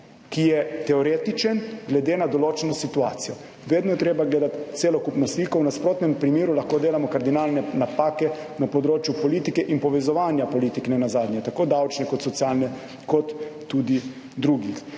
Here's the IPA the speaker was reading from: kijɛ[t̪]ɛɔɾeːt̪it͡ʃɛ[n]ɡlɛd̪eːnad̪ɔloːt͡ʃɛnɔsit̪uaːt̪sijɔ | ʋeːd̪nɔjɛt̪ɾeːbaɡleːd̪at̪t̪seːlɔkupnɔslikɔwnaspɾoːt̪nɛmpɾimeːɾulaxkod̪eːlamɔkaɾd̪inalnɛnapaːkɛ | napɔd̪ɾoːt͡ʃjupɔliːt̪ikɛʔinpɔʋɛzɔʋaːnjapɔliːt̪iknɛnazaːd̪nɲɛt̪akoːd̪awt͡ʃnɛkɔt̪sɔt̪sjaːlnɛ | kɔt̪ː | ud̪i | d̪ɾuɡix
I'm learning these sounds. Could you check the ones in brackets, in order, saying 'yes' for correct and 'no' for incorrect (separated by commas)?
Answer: yes, yes